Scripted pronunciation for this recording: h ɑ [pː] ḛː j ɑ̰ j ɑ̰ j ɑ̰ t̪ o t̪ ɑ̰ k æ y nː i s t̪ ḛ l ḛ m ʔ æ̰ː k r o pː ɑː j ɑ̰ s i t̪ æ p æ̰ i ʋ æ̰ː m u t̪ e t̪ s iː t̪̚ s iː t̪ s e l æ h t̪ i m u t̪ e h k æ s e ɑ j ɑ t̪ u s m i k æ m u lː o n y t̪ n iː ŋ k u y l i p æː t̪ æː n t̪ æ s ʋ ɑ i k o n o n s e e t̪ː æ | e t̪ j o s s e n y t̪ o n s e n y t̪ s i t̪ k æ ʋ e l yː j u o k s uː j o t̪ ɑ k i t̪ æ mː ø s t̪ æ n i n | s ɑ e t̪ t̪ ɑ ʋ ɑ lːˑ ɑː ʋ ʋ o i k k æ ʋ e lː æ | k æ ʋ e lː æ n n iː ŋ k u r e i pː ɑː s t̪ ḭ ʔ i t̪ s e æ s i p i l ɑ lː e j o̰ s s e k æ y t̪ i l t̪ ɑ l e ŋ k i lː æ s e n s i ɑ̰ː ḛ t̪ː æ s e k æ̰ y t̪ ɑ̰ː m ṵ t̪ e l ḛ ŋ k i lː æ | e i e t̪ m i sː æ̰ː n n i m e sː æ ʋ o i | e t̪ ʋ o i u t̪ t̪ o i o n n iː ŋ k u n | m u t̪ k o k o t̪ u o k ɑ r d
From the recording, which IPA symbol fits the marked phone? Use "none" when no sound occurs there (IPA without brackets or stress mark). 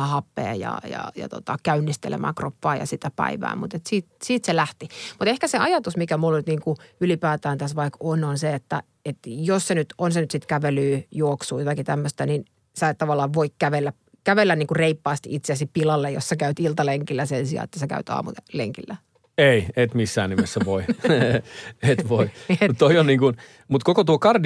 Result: pː